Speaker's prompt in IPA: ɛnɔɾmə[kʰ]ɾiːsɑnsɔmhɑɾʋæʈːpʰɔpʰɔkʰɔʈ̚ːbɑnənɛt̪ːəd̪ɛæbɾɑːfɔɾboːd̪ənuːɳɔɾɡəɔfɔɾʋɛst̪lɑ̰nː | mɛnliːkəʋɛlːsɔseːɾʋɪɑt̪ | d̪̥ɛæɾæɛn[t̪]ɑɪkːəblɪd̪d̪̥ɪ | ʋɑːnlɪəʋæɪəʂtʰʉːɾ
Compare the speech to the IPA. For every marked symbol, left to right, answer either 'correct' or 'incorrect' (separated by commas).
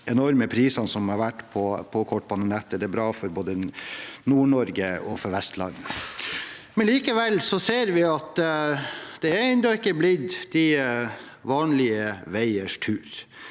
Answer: incorrect, incorrect